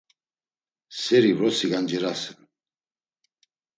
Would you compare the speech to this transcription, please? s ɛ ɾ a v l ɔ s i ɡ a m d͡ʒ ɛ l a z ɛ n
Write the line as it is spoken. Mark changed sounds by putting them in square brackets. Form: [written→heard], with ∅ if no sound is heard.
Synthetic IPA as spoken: s ɛ ɾ [a→i] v [l→ɾ] ɔ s i ɡ a [m→n] d͡ʒ ɛ [l→ɾ] a [z→s] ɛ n